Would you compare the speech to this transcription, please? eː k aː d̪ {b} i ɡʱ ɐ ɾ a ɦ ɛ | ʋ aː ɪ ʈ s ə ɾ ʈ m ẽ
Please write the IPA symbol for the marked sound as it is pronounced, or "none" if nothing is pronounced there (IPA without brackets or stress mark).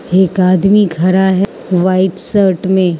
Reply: m